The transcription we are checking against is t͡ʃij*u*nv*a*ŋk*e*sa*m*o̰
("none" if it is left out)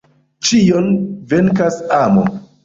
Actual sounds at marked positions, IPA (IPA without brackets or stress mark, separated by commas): o, e, a, m